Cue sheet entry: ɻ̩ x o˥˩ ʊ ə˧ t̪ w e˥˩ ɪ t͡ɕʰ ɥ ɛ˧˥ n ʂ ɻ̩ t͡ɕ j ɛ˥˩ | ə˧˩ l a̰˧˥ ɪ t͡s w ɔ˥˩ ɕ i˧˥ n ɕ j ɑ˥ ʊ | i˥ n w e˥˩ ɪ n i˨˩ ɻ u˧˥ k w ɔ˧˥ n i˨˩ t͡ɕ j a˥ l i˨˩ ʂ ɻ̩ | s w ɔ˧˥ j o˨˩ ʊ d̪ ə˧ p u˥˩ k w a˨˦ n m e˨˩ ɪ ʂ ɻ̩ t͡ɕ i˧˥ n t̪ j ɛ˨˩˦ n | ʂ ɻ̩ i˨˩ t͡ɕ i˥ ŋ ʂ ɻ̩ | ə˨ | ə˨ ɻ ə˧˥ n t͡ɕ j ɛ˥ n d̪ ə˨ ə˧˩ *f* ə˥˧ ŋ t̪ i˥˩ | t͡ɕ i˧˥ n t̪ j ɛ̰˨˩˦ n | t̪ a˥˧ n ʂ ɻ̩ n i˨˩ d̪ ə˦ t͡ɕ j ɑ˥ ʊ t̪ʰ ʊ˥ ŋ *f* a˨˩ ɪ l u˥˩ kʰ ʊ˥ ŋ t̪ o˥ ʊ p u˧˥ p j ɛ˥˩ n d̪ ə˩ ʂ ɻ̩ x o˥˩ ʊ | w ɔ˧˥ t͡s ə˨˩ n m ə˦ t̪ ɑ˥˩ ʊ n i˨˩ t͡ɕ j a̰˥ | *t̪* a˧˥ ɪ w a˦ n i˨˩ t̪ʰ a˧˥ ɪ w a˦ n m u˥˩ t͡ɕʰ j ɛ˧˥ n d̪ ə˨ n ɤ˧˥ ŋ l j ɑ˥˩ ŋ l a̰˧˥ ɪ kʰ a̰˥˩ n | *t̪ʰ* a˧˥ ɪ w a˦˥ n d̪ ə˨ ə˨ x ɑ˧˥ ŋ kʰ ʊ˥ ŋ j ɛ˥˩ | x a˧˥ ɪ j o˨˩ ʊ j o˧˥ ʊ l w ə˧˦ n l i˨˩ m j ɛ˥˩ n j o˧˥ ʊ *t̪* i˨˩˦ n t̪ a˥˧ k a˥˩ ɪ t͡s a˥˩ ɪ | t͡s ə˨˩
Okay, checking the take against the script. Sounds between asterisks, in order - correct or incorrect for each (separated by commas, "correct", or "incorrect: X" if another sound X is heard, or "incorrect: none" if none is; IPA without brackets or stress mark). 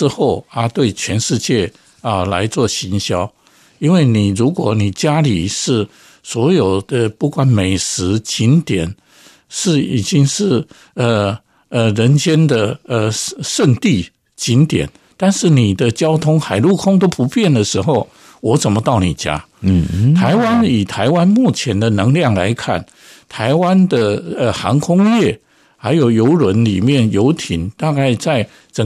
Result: incorrect: ʂ, incorrect: x, incorrect: t̪ʰ, correct, incorrect: t̪ʰ